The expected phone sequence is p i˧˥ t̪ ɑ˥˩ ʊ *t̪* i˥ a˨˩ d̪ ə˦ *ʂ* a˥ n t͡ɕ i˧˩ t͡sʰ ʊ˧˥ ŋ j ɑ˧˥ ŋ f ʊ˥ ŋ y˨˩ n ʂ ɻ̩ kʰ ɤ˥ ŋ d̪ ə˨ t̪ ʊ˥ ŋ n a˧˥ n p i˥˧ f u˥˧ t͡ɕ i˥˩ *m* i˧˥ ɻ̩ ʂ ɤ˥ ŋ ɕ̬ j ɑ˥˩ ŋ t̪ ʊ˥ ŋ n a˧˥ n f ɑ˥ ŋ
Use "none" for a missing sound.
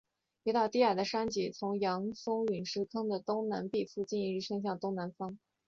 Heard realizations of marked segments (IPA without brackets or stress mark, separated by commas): t̪, ʂ, n